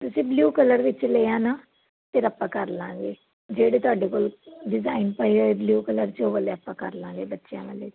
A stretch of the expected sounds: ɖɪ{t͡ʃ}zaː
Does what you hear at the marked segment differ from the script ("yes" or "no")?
yes